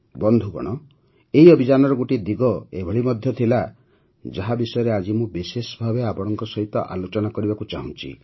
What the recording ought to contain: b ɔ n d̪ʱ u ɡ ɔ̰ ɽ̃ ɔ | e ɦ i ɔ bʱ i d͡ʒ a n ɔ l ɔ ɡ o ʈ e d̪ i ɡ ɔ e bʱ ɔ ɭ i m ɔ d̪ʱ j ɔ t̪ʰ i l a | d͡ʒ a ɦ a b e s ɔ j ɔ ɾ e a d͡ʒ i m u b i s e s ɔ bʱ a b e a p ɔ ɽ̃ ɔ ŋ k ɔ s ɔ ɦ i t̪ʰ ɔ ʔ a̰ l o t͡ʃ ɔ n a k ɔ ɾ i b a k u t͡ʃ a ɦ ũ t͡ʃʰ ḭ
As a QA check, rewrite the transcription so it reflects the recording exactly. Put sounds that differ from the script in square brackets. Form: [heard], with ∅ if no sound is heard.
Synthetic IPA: b ɔ n d̪ʱ u ɡ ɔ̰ ɽ̃ ɔ | e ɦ i ɔ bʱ i d͡ʒ a n ɔ [ɾ] ɔ ɡ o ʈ [i] d̪ i ɡ ɔ e bʱ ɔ ɭ i m ɔ d̪ʱ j ɔ t̪ʰ i l a | d͡ʒ a ɦ a b [i] s ɔ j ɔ ɾ e a d͡ʒ i m [ũ] b i s e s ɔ bʱ a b e a p ɔ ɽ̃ ɔ ŋ k ɔ s ɔ ɦ i [t̪] ɔ ʔ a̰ l o t͡ʃ ɔ n a k ɔ ɾ i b a k u t͡ʃ a ɦ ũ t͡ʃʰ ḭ